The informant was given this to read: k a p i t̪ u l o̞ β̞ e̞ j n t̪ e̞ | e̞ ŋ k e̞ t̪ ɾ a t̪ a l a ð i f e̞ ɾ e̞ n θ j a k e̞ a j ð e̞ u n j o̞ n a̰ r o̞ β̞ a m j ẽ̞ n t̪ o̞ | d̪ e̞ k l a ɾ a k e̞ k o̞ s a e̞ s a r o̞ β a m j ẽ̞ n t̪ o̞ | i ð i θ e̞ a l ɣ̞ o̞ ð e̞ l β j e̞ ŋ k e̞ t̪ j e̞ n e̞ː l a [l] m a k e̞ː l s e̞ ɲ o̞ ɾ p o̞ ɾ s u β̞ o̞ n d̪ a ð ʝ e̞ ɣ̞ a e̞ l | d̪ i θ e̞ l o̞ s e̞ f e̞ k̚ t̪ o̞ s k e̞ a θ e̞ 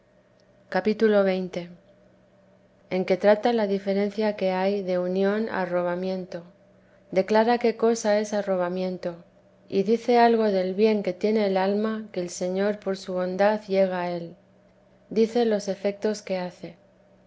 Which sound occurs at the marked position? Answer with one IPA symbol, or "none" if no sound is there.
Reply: l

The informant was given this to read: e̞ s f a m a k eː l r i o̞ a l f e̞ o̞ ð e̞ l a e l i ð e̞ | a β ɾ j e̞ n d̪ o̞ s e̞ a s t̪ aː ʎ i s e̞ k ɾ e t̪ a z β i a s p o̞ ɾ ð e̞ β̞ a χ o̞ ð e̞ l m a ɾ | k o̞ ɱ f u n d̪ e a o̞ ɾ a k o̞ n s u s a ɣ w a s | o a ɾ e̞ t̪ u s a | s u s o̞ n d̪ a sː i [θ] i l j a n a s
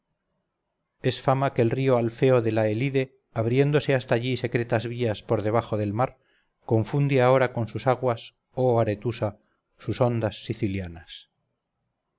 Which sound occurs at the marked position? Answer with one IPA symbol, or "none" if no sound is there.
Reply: θ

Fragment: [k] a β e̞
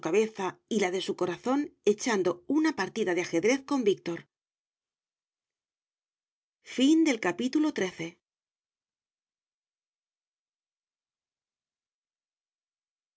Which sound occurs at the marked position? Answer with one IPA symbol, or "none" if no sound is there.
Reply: k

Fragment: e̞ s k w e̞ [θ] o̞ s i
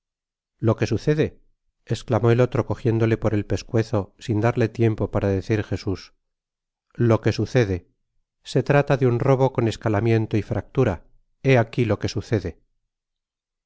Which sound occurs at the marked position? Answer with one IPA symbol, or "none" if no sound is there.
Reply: θ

